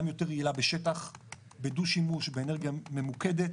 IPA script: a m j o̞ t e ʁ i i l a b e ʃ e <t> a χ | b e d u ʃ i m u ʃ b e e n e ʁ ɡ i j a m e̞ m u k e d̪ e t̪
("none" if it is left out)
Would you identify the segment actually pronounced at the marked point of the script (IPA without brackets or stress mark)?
t